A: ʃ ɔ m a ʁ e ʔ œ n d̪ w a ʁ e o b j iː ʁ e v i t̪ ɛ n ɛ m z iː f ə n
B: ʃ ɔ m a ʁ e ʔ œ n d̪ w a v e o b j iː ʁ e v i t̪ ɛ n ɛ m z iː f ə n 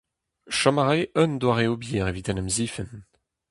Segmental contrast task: A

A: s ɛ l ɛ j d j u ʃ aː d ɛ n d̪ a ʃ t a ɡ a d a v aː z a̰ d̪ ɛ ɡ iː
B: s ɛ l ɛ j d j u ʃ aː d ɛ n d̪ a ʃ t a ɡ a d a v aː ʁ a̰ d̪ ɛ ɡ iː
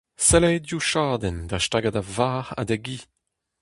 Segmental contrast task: B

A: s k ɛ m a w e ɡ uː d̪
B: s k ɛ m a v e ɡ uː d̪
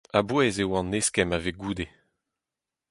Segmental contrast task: B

